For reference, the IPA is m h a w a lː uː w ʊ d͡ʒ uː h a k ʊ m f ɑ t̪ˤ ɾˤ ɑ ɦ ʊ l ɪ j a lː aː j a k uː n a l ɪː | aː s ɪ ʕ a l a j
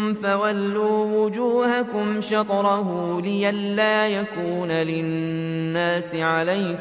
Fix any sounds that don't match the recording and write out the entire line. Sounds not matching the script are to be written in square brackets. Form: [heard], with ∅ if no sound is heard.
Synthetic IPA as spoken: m [f] a w a lː uː w ʊ d͡ʒ uː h a k ʊ m [ʃ] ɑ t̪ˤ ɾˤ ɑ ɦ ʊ l ɪ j a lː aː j a k uː n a l ɪː | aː s ɪ ʕ a l a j